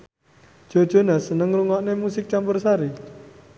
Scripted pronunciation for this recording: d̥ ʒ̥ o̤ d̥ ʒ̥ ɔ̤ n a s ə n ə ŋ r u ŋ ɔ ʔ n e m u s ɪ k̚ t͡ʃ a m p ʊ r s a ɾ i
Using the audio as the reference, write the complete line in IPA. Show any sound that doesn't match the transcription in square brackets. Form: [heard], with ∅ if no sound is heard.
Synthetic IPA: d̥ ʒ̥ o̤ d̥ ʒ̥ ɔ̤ n a s ə n ə ŋ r u ŋ ɔ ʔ n e m u s ɪ k̚ t͡ʃ a m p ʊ r s a ɾ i